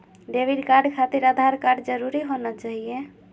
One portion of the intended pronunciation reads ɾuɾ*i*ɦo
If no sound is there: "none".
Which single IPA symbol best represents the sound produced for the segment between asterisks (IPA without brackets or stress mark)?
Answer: i